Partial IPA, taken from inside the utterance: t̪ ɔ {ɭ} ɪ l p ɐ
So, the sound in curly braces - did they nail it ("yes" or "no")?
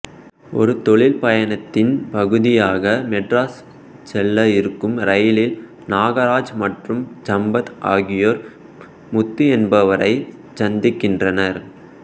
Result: yes